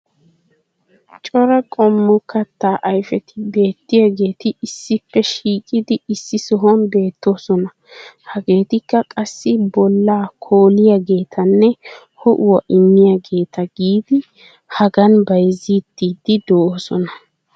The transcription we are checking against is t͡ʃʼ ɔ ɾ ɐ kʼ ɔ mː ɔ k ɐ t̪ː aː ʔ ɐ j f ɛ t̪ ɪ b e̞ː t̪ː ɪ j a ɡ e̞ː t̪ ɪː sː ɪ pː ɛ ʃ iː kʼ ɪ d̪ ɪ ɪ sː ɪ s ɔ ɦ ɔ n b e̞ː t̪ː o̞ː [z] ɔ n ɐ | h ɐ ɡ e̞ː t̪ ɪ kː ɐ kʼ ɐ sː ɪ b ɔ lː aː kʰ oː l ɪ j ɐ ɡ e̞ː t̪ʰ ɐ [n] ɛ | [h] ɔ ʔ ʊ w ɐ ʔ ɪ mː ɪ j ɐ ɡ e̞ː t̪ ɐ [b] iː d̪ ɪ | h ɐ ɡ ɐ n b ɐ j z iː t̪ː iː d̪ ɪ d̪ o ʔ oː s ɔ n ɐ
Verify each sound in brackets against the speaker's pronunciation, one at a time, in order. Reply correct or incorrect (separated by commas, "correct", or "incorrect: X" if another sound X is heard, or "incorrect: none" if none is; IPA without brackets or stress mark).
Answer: incorrect: s, incorrect: nː, correct, incorrect: ɡ